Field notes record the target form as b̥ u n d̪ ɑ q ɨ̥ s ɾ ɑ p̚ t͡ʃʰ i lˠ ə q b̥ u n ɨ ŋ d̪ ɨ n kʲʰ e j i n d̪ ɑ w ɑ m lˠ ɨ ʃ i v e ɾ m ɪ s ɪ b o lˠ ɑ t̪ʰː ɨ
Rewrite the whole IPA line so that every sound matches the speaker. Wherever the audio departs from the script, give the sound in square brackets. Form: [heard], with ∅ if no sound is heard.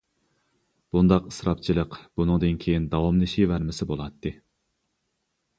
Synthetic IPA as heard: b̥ u n d̪ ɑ q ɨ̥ s ɾ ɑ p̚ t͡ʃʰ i lˠ ə q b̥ u n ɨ ŋ d̪ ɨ n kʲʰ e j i n d̪ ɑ w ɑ m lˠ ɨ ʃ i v [æ] ɾ m ɪ s ɪ b o lˠ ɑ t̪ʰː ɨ